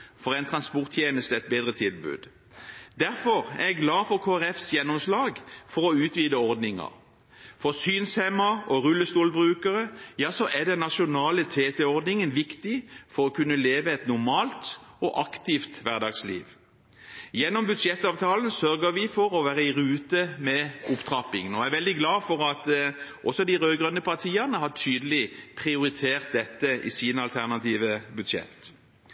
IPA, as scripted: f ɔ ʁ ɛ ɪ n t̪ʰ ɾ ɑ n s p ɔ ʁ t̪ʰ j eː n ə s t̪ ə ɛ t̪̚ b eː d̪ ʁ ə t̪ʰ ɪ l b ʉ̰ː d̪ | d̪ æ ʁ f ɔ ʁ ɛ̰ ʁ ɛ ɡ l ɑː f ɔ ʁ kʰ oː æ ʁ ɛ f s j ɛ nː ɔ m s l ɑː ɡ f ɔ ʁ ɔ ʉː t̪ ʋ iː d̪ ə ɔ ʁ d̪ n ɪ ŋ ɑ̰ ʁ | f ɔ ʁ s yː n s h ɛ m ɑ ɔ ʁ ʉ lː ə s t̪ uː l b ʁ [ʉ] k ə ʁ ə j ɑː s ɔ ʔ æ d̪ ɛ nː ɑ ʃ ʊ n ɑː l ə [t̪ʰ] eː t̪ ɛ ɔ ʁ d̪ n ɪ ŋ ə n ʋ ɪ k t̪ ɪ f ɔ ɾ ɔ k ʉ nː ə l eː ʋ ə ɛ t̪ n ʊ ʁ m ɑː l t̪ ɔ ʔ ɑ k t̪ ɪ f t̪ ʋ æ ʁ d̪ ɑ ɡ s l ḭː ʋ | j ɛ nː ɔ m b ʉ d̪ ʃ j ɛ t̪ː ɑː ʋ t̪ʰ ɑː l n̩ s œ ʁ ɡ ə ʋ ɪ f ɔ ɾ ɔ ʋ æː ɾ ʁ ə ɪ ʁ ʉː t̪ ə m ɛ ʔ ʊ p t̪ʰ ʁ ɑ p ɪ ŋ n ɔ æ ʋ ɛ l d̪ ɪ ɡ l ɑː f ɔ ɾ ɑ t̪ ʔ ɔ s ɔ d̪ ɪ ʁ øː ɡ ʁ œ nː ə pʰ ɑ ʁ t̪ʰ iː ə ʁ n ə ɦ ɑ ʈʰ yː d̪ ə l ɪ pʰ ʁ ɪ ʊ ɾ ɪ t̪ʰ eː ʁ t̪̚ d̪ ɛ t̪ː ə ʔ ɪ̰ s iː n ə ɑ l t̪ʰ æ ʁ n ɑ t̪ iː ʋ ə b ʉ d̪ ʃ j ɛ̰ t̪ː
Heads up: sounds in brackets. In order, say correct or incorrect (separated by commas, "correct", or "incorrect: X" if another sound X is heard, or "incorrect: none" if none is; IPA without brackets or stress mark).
incorrect: ʉː, correct